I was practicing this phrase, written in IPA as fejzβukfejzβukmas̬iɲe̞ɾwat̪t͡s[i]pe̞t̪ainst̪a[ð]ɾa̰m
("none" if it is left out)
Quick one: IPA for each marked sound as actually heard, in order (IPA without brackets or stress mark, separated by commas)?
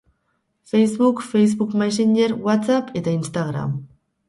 a, ɣ